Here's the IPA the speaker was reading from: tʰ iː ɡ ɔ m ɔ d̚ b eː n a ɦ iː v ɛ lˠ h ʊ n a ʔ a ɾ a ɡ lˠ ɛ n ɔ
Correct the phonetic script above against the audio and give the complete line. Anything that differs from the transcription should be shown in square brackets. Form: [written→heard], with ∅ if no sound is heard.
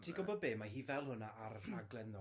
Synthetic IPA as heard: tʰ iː ɡ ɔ [m→b] ɔ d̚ b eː [n→m] a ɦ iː v ɛ lˠ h ʊ n a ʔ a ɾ a ɡ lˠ ɛ n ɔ

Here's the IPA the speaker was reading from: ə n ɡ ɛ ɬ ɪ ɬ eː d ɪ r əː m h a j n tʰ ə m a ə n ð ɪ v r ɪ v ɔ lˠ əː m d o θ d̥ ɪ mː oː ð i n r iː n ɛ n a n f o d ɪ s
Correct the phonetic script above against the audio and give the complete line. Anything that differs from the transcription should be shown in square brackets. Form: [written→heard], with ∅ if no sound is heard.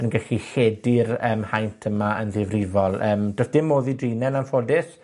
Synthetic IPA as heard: ə n ɡ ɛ ɬ [ɪ→i] ɬ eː d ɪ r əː m h a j n tʰ ə m a ə n ð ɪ v r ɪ v ɔ lˠ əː m d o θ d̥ ɪ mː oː ð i [n→d] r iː n ɛ n a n f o d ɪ s

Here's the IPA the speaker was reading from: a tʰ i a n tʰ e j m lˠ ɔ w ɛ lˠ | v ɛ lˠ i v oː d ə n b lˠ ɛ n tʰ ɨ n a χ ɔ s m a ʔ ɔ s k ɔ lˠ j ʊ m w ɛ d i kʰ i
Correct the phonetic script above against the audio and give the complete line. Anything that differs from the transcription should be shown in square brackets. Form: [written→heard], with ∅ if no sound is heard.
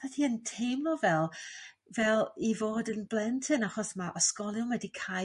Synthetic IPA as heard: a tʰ i [a→ə] n tʰ e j m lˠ ɔ [w→v] ɛ lˠ | v ɛ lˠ i v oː d ə n b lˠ ɛ n tʰ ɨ n a χ ɔ s m a ʔ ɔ s k ɔ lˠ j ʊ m w ɛ d i kʰ [i→a]

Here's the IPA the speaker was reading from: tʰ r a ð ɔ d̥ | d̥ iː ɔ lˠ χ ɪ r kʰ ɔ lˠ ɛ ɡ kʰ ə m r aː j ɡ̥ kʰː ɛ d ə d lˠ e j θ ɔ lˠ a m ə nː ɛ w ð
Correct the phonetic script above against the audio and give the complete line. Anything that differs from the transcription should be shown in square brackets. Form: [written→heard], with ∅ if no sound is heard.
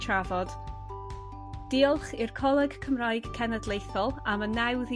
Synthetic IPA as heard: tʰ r a [ð→v] ɔ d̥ | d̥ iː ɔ lˠ χ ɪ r kʰ ɔ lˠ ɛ ɡ kʰ ə m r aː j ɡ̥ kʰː ɛ [d→n] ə d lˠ e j θ ɔ lˠ a m ə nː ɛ w ð

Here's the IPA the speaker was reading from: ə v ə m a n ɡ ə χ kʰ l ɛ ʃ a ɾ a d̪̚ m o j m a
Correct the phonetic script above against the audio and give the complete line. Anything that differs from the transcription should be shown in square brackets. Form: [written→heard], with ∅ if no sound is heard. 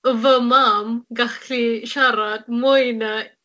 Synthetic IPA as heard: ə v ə m a [n→m] ɡ [ə→a] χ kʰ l [ɛ→i] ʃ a ɾ a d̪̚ m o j [m→n] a

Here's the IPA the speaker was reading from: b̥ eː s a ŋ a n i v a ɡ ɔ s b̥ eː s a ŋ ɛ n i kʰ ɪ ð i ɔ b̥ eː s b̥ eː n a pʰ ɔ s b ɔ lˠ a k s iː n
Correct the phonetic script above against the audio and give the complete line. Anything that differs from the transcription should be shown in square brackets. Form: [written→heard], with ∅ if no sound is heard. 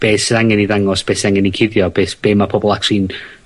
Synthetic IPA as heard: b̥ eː s a ŋ [a→ɛ] n i [v→ð] a [ɡ→ŋ] ɔ s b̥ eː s a ŋ ɛ n i kʰ ɪ ð [i→j] ɔ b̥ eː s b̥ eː [n→m] a pʰ ɔ [s→∅] b ɔ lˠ a k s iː n

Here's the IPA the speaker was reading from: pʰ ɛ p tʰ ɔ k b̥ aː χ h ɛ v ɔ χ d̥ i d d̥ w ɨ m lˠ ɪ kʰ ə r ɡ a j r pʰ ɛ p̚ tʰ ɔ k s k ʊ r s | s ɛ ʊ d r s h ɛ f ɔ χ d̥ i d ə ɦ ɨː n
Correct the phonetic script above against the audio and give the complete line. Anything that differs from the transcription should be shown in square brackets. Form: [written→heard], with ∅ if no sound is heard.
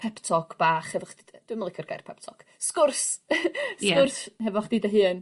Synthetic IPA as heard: pʰ ɛ p tʰ ɔ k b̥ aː χ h ɛ v ɔ χ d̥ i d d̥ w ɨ m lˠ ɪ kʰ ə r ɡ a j r pʰ ɛ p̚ tʰ ɔ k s k ʊ r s | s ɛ ʊ [d→∅] r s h ɛ [f→v] ɔ χ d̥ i d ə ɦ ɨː n

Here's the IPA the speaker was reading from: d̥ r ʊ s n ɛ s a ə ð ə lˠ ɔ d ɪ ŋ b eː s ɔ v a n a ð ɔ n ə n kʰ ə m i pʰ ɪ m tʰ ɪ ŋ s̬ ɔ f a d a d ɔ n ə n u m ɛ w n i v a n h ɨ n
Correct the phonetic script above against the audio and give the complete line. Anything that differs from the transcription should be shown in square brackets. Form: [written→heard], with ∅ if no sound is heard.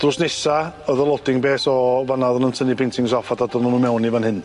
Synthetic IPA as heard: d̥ r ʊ s n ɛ s a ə ð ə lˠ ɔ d ɪ ŋ b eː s ɔ v a n a ð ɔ n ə n [kʰ→tʰ] ə [m→n] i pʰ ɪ [m→n] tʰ ɪ ŋ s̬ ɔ f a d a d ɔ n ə n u m ɛ w n i v a n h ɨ n

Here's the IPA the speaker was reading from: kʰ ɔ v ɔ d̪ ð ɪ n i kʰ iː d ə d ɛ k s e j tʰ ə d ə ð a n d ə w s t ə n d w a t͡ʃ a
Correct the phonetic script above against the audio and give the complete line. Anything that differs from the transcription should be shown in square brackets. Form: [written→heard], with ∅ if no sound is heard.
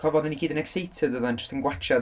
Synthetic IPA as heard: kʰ ɔ v ɔ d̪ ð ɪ n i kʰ iː d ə [d→n] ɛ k s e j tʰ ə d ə ð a n [d→d͡ʒ] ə [w→∅] s t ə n [d→ɡ] w a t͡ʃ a

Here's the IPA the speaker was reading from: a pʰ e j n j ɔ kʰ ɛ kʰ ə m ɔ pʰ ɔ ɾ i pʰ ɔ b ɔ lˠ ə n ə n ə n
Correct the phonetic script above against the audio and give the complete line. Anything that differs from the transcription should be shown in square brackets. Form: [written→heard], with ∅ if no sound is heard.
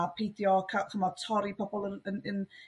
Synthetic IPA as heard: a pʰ e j [n→d] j ɔ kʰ [ɛ→a] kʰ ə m ɔ [pʰ→tʰ] ɔ ɾ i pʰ ɔ b ɔ lˠ ə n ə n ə n

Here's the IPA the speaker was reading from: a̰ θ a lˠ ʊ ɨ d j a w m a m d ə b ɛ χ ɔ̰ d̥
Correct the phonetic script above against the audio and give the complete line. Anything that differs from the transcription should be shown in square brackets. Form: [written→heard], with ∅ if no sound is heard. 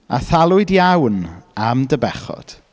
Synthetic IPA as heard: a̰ θ a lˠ ʊ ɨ d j a w [m→n] a m d ə b ɛ χ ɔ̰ d̥

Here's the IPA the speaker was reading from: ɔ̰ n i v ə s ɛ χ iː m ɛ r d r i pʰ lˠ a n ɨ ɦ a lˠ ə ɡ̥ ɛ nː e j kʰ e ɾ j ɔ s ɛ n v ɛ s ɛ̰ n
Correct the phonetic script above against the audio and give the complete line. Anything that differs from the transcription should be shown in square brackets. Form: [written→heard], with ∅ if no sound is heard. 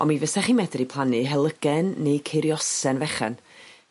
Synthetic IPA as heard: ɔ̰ [n→m] i v ə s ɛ χ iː m ɛ [r→∅] d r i pʰ lˠ a n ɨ ɦ [a→ɛ] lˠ ə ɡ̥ ɛ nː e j kʰ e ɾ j ɔ s ɛ n v ɛ [s→χ] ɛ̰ n

